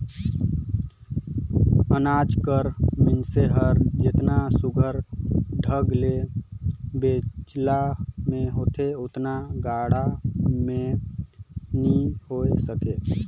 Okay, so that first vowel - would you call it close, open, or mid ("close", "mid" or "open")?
mid